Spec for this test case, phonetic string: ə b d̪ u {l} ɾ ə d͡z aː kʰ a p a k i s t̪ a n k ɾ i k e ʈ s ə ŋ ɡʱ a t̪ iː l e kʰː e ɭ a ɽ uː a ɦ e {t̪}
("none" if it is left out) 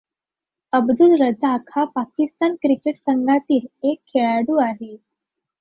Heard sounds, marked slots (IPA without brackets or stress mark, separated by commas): l, none